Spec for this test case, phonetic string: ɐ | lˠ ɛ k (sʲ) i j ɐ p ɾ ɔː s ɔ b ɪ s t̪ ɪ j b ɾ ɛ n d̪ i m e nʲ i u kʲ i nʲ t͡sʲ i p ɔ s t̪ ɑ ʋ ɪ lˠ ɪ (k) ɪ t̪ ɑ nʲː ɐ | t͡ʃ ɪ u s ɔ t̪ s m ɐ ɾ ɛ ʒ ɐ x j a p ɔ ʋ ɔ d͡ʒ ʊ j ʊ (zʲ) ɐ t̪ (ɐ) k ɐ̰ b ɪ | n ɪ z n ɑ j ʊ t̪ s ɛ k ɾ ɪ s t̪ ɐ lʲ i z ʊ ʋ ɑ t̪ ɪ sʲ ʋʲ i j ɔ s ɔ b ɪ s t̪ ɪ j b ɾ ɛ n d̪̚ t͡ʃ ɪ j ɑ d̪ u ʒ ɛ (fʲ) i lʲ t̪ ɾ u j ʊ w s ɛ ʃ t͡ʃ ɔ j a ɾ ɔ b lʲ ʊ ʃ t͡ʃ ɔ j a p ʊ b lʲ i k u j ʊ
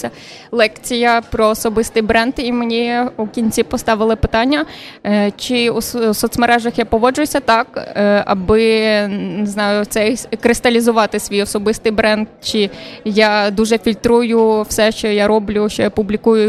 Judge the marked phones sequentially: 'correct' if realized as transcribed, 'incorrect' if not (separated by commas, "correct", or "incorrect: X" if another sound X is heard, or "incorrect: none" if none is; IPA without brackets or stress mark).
incorrect: t͡sʲ, incorrect: p, incorrect: sʲ, incorrect: ɑ, correct